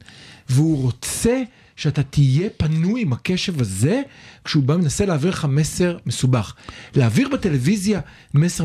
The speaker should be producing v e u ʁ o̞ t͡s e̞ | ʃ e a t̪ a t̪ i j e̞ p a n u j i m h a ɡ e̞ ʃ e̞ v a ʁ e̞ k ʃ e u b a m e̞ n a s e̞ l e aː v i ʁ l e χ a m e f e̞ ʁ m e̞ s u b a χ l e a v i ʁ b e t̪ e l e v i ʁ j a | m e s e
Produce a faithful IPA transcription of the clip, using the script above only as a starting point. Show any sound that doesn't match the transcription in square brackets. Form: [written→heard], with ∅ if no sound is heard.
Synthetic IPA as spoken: v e u ʁ o̞ t͡s e̞ | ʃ e a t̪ a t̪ i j e̞ p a n u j i m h a [ɡ→k] e̞ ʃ e̞ v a [ʁ→z] e̞ k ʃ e u b a m e̞ n a s e̞ l e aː v i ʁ l e χ a m e [f→s] e̞ ʁ m e̞ s u b a χ l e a v i ʁ b e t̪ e l e v i [ʁ→z] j a | m e s e